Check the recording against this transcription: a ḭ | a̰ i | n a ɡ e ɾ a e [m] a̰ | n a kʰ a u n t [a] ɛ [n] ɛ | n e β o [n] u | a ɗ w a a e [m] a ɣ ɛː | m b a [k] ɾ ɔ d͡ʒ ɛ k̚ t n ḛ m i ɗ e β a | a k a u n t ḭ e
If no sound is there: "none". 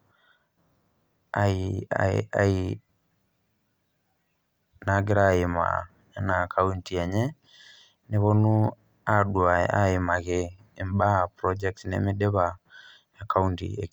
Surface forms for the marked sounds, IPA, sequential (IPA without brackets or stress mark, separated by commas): m, i, ɲ, n, m, p